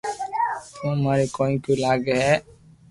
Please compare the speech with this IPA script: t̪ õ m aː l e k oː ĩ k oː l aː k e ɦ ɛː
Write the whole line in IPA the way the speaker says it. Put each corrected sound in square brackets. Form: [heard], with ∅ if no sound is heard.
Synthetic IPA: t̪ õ m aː [ɾ] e k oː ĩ k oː l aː [ɡ] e ɦ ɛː